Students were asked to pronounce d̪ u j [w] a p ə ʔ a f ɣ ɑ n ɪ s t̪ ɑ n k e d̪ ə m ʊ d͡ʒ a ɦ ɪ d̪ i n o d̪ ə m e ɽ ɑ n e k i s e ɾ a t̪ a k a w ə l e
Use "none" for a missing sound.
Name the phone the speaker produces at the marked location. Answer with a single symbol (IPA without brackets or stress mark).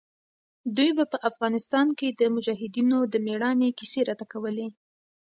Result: b